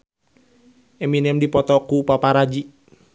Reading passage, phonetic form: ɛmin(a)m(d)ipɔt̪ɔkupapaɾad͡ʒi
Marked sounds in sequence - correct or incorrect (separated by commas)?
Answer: incorrect, correct